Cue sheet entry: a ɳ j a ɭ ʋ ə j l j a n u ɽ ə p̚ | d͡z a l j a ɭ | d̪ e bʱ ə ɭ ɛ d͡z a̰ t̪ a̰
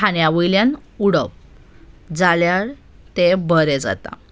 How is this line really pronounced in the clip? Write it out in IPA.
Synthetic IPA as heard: a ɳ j a ʋ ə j l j a n u ɽ ə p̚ | d͡z a l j a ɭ | t̪ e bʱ ə ɾ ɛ d͡z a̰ t̪ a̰

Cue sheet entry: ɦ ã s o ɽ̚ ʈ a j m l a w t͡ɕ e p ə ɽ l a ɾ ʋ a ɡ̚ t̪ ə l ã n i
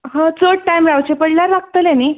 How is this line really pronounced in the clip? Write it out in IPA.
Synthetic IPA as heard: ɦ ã t͡s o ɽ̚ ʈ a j m ɾ a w t͡ɕ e p ə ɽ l a ɾ ʋ a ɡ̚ t̪ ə l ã n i

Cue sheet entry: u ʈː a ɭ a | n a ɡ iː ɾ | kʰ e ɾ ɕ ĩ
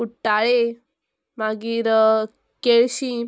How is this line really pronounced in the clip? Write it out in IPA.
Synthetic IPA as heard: u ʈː a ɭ e | m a ɡ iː ɾ | k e ɭ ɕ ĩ

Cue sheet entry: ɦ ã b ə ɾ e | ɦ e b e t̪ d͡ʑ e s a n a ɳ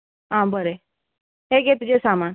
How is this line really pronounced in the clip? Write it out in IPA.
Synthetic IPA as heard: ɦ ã b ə ɾ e | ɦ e ɡ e t̪ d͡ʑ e s a m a n

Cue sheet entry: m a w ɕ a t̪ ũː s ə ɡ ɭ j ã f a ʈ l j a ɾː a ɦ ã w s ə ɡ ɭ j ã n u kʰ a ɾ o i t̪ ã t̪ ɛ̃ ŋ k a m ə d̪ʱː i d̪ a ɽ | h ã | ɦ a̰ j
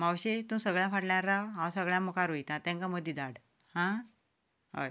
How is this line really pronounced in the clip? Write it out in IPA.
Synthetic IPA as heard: m a w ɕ e t̪ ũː s ə ɡ ɭ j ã f a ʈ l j a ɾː a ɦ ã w s ə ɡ ɭ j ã m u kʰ a ɾ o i t̪ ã t̪ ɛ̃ ŋ k a m ə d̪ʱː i d̪ a ɽ | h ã | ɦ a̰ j

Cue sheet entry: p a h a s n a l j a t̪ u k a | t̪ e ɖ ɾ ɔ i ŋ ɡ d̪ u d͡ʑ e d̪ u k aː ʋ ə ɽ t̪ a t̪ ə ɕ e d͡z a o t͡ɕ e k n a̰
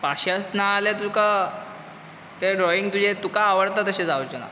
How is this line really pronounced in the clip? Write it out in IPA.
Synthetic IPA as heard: p a ɕ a s n a l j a t̪ u k a | t̪ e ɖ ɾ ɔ i ŋ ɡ t̪ u d͡ʑ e t̪ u k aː ʋ ə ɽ t̪ a t̪ ə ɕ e d͡z a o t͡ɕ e n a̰

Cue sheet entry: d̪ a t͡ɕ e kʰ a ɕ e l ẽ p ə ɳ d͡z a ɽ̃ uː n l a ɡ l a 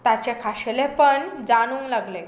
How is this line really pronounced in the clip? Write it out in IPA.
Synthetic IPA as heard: t̪ a t͡ɕ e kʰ a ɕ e l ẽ p ə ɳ d͡z a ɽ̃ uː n l a ɡ l e

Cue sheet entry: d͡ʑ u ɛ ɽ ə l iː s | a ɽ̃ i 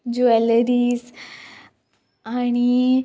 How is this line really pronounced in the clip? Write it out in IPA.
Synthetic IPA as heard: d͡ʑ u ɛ l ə ɾ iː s | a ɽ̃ i

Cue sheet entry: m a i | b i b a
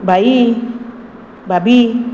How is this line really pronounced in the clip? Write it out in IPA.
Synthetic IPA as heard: b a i | b a b i

